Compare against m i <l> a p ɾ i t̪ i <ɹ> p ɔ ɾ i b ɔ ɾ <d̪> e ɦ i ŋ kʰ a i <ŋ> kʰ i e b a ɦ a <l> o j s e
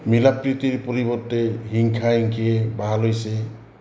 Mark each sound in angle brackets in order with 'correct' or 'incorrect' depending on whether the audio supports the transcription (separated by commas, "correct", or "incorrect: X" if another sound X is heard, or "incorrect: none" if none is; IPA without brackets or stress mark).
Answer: correct, incorrect: ɾ, incorrect: t̪, correct, correct